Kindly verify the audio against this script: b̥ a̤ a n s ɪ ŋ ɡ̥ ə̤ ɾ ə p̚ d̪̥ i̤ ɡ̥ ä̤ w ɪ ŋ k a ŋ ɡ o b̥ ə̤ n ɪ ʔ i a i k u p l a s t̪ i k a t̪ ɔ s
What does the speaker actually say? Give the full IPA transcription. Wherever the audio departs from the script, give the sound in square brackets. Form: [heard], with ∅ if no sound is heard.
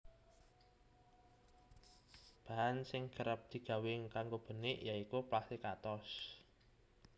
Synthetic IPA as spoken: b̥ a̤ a n s ɪ ŋ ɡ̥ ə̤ ɾ ə p̚ d̪̥ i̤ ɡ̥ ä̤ w ɪ ŋ k a ŋ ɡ o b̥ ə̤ n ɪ ʔ [j] a i k u p l a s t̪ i k a t̪ ɔ s